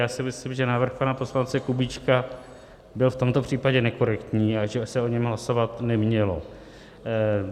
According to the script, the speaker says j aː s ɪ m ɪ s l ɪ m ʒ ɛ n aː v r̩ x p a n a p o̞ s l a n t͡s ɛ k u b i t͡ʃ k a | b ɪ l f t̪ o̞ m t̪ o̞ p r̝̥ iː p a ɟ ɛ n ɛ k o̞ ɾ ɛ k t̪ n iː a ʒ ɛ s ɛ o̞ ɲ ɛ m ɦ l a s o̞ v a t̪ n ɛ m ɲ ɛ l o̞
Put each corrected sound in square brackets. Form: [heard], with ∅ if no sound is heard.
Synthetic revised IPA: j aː s ɪ m ɪ s l ɪ m ʒ ɛ n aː v r̩ x p a n a p o̞ s l a n t͡s ɛ k u b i t͡ʃ k a | b ɪ l f t̪ o̞ m t̪ o̞ p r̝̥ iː p a ɟ ɛ n ɛ k o̞ ɾ ɛ k t̪ [ɲ] iː a ʒ ɛ s ɛ o̞ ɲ ɛ m ɦ l a s o̞ v a t̪ n ɛ m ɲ ɛ l o̞

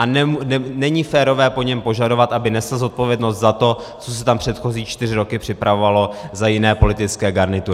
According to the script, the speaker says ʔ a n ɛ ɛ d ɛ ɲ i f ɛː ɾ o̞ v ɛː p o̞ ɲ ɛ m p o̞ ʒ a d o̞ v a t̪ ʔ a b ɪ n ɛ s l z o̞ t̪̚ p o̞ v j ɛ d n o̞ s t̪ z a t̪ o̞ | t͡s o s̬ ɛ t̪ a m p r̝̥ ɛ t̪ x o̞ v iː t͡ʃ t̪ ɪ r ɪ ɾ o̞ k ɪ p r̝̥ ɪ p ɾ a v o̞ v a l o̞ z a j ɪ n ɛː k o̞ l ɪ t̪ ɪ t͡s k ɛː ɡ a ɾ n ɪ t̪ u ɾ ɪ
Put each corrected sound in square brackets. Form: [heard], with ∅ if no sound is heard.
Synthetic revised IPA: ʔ a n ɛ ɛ [n] ɛ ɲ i f ɛː ɾ o̞ v ɛː p o̞ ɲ ɛ m p o̞ ʒ a d o̞ v a t̪ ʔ a b ɪ n ɛ s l z o̞ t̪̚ p o̞ v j ɛ d n o̞ s t̪ z a t̪ o̞ | t͡s o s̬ ɛ t̪ a m p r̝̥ ɛ t̪ x o̞ [z] iː t͡ʃ t̪ ɪ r ɪ ɾ o̞ k ɪ p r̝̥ ɪ p ɾ a v o̞ v a l o̞ z a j ɪ n ɛː [p] o̞ l ɪ t̪ ɪ t͡s k ɛː ɡ a ɾ n ɪ t̪ u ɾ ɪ

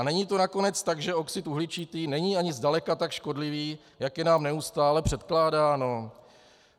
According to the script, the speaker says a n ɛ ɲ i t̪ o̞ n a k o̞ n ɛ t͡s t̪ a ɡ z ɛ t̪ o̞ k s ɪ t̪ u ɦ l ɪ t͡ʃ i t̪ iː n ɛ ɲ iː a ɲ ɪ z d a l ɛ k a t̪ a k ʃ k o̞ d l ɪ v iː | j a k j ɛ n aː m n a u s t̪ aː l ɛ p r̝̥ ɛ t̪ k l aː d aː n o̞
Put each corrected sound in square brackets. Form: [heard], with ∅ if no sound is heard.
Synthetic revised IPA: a n ɛ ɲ i t̪ o̞ n a k o̞ n ɛ t͡s t̪ a ɡ [ʒ] ɛ [∅] o̞ k s ɪ t̪ u ɦ l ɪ t͡ʃ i t̪ iː n ɛ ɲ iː a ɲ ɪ z d a l ɛ k a t̪ a k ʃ k o̞ d l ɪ v iː | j a k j ɛ n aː m n [ɛ] u s t̪ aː l ɛ p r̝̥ ɛ t̪ k l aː d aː n o̞

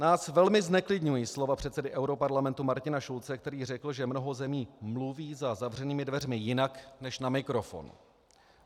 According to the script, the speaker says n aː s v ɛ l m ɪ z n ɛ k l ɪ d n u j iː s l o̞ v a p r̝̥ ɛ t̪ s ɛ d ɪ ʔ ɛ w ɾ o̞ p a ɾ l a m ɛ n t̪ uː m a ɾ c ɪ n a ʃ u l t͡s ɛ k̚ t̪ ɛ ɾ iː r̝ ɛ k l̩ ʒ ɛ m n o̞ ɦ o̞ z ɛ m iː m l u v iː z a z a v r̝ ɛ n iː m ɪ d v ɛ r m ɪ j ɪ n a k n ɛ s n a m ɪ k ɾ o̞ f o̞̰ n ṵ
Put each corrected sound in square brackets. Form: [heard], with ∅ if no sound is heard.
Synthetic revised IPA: n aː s v ɛ l m ɪ z n ɛ k l ɪ d [ɲ] u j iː s l o̞ v a p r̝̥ ɛ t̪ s ɛ d ɪ ʔ ɛ w ɾ o̞ p a ɾ l a m ɛ n t̪ [u] m a ɾ c ɪ n a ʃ u l t͡s ɛ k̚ t̪ ɛ ɾ iː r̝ ɛ k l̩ ʒ ɛ m n o̞ ɦ o̞ z ɛ m iː m l u v iː z a z a v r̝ ɛ n iː m ɪ d v ɛ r m ɪ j ɪ n a k n ɛ [ʃ] n a m ɪ k ɾ o̞ f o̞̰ n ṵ

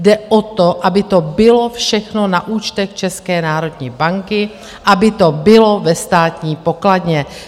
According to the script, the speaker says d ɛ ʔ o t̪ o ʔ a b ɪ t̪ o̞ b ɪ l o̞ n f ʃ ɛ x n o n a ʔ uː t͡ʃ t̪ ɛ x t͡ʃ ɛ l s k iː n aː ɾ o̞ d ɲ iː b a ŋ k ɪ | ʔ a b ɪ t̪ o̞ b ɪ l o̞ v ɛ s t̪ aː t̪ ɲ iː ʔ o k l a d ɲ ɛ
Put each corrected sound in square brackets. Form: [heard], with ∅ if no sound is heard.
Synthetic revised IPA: d ɛ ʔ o t̪ o ʔ a b ɪ t̪ o̞ b ɪ l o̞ [∅] f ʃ ɛ x n o n a ʔ uː t͡ʃ t̪ ɛ x t͡ʃ ɛ [∅] s k [ɛː] n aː ɾ o̞ d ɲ iː b a ŋ k ɪ | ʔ a b ɪ t̪ o̞ b ɪ l o̞ v ɛ s t̪ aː t̪ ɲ iː [p] o k l a d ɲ ɛ

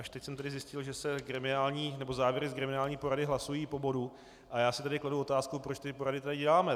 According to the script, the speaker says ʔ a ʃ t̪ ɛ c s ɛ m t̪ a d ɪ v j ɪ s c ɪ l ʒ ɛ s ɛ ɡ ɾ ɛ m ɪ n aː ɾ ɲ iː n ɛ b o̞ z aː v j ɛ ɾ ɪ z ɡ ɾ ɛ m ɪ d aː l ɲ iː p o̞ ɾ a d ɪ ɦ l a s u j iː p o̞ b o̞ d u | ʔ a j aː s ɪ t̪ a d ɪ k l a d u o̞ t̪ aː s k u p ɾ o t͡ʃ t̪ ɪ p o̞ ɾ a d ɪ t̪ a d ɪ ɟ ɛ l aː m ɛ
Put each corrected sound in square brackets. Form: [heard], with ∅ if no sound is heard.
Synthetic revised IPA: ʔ a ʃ t̪ ɛ c s ɛ m t̪ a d ɪ [z] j ɪ s c ɪ l ʒ ɛ s ɛ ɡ ɾ ɛ m ɪ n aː [l] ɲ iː n ɛ b o̞ z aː v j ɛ ɾ ɪ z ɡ ɾ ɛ m ɪ [n] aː l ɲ iː p o̞ ɾ a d ɪ ɦ l a s u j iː p o̞ b o̞ d u | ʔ a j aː s ɪ t̪ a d ɪ k l a d u o̞ t̪ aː s k u p ɾ o t͡ʃ t̪ ɪ p o̞ ɾ a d ɪ t̪ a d ɪ ɟ ɛ l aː m ɛ

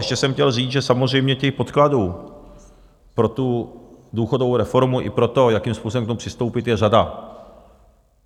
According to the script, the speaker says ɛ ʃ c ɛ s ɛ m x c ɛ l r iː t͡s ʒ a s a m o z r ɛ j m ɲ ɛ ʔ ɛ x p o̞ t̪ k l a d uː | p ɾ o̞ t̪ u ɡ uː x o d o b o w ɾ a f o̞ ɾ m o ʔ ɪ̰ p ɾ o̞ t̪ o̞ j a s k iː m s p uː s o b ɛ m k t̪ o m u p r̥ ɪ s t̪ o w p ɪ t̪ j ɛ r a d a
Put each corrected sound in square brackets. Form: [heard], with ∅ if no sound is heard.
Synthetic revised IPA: ɛ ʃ c ɛ s ɛ m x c ɛ l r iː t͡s ʒ [ɛ] s a m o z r ɛ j m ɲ ɛ [c] ɛ x p o̞ t̪ k l a d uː | p ɾ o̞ t̪ u [d] uː x o d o [v] o w ɾ [ɛ] f o̞ ɾ m [u] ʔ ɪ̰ p ɾ o̞ t̪ o̞ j a [∅] k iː m s p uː s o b ɛ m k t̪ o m u p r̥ ɪ s t̪ o w p ɪ t̪ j ɛ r a d a

